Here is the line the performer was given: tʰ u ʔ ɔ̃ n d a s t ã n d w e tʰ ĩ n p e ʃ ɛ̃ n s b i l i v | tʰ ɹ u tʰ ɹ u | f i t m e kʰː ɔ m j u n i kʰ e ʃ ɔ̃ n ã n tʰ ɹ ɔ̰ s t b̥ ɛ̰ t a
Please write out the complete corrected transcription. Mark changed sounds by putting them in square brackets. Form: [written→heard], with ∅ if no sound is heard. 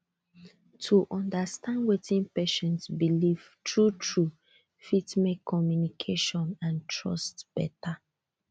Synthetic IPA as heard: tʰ u ʔ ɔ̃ n d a s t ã n d w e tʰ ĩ n p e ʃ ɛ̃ n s b i l i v | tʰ ɹ u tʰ ɹ u | f i t m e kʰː ɔ m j u n i kʰ e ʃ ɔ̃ n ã n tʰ ɹ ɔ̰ s t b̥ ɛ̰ t a

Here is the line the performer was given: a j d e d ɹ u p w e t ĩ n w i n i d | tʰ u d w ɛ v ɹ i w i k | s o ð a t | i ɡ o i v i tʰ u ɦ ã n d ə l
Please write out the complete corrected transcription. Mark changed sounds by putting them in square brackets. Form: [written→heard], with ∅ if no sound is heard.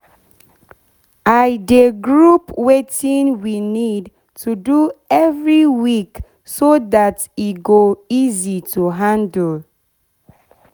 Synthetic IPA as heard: a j d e [d→ɡ] ɹ u p w e t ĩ n w i n i d | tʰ u d [w→u] ɛ v ɹ i w i k | s o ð a t | i ɡ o i [v→z] i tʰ u ɦ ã n d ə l

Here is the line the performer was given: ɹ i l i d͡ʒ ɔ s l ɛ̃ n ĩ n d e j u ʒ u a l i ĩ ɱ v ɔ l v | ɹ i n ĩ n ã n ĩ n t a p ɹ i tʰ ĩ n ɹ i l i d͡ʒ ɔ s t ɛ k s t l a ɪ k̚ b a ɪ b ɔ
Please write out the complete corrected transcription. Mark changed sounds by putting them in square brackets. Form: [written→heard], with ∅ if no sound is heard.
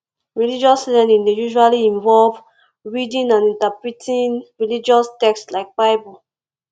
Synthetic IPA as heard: ɹ i l i d͡ʒ ɔ s l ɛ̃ n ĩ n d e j u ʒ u a l i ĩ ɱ v ɔ l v | ɹ i [n→d] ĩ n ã n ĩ n t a p ɹ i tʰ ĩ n ɹ i l i d͡ʒ ɔ s t ɛ k s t l a ɪ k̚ b a ɪ b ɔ

